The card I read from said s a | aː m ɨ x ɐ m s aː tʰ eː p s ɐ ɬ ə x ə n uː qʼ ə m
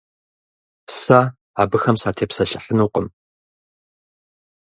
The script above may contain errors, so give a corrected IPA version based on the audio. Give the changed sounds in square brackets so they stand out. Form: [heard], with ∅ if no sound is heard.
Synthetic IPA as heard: s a | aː [b] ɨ x ɐ m s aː tʰ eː p s ɐ ɬ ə [ħ] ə n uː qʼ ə m